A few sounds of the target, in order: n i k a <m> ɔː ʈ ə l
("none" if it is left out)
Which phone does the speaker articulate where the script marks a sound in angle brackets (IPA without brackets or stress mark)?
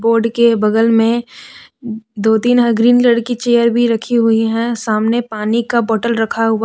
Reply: b